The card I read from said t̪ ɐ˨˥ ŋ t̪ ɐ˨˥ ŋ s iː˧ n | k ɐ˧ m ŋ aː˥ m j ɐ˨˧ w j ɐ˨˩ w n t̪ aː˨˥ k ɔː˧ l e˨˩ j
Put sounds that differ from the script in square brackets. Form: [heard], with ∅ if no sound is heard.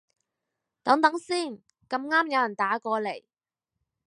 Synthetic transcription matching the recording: t̪ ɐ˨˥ ŋ t̪ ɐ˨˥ ŋ s [iː˥˩] n | k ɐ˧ m ŋ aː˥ m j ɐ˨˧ w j ɐ˨˩ [∅] n t̪ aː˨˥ k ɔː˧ l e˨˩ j